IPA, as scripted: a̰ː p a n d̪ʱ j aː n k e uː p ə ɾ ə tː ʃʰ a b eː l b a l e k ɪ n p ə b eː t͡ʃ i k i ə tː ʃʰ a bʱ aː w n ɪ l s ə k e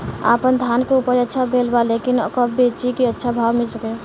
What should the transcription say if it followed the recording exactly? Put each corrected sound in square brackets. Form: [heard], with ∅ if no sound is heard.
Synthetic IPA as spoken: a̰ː p [ə] n d̪ʱ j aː n k e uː p ə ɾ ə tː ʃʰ a b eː l b a l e k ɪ n [k] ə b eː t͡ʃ i k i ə tː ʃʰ a bʱ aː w [m] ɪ l s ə k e